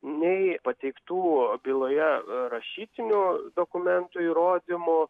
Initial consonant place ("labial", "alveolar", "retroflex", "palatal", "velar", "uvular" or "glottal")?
alveolar